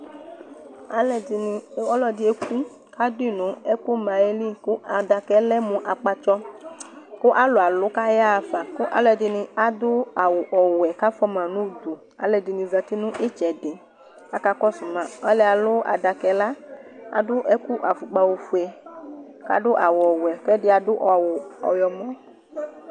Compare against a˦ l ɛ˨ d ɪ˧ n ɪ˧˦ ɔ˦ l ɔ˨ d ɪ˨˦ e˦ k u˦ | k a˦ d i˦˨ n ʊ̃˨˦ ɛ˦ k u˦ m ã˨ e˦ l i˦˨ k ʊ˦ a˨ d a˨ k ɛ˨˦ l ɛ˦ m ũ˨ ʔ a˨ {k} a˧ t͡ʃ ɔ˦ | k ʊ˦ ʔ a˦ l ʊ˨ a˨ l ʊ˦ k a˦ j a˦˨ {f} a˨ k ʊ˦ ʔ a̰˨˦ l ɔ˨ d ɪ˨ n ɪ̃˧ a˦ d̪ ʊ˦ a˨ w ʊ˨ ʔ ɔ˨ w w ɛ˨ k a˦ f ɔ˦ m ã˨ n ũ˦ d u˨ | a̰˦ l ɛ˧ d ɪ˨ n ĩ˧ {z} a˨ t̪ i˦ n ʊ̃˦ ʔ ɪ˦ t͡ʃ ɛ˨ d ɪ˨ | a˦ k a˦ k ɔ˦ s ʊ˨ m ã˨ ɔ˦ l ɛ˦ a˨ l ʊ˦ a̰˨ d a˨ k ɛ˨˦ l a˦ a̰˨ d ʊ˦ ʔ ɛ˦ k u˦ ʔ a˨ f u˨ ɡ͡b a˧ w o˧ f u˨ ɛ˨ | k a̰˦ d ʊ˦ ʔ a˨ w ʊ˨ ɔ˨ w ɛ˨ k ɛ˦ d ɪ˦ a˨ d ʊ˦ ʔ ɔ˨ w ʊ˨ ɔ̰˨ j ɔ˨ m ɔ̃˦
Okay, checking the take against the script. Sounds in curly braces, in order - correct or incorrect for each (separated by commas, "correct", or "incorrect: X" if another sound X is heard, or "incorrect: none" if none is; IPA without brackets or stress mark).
incorrect: k͡p, correct, correct